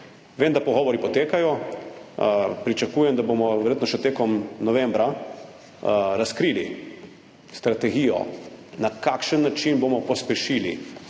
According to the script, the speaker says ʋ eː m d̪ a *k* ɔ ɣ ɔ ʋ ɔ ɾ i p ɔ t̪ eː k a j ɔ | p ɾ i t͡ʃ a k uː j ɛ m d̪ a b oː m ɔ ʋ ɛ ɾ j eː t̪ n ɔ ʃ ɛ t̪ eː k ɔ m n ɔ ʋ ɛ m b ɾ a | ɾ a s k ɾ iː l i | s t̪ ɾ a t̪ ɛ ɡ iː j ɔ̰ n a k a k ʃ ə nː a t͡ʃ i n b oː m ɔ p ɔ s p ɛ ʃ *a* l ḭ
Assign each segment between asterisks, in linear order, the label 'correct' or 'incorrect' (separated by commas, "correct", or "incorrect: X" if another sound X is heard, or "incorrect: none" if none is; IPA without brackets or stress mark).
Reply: incorrect: p, incorrect: i